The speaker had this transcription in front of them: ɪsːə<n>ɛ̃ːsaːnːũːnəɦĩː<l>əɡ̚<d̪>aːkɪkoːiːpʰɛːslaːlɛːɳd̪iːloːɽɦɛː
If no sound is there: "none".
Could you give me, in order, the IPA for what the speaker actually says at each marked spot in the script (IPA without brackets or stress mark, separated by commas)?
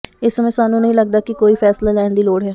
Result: m, l, d̪